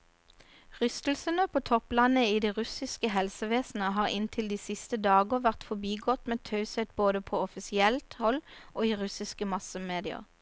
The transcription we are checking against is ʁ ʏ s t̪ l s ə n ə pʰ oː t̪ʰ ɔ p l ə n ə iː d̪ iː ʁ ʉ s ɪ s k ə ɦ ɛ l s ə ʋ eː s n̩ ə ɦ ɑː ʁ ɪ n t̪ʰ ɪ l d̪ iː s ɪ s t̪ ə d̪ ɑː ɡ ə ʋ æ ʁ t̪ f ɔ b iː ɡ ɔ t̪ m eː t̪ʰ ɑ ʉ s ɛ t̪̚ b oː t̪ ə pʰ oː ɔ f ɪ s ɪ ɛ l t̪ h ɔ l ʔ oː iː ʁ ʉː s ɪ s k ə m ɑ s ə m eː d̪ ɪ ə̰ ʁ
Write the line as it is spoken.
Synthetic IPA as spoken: ʁ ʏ s t̪ l s ə n ə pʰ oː t̪ʰ ɔ p l ɑ n ə iː d̪ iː ʁ ʉ s ɪ s k ə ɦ ɛ l s ə ʋ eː s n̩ ə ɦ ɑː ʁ ɪ n t̪ʰ ɪ l d̪ iː s ɪ s t̪ ə d̪ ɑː ɡ ə ʋ æ ʁ t̪ f ɔ b iː ɡ ɔ t̪ m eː t̪ʰ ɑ ʉ s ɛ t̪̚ b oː d̪ ə pʰ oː ɔ f ɪ s ɪ ɛ l t̪ h ɔ l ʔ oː iː ʁ ʉ s ɪ s k ə m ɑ s ə m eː d̪ ɪ ə̰ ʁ